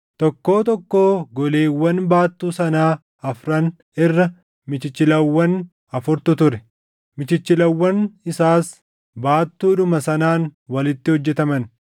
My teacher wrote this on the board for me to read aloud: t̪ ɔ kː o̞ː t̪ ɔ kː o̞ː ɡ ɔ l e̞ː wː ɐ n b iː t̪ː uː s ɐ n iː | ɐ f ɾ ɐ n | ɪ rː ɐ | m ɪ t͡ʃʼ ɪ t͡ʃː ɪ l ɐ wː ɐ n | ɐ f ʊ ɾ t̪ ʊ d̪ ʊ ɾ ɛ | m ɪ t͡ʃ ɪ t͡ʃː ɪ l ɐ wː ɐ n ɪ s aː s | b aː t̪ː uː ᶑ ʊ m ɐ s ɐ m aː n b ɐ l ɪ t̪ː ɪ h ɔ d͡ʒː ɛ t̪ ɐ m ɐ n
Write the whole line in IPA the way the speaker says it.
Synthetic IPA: t̪ ɔ kː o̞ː t̪ ɔ kː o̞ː ɡ ɔ l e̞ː wː ɐ n b aː t̪ː uː s ɐ n aː | ɐ f ɾ ɐ n | ɪ rː ɐ | m ɪ t͡ʃ ɪ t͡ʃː ɪ l ɐ wː ɐ n | ɐ f ʊ ɾ t̪ ʊ t̪ ʊ ɾ ɛ | m ɪ t͡ʃ ɪ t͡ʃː ɪ l ɐ wː ɐ n ɪ s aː s | b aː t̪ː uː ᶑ ʊ m ɐ s ɐ n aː n w ɐ l ɪ t̪ː ɪ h ɔ d͡ʒː ɛ t̪ ɐ m ɐ n